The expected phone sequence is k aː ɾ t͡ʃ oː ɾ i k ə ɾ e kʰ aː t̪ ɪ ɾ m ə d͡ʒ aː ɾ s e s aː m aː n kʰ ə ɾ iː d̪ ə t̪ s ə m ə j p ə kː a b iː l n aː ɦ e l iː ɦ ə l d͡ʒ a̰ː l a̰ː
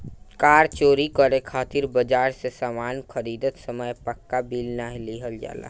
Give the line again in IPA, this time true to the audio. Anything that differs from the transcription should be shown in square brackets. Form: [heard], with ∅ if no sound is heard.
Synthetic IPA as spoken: k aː ɾ t͡ʃ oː ɾ i k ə ɾ e kʰ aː t̪ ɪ ɾ [b] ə d͡ʒ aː ɾ s e s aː m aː n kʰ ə ɾ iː d̪ ə t̪ s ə m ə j p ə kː a b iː l n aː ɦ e l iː ɦ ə l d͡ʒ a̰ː l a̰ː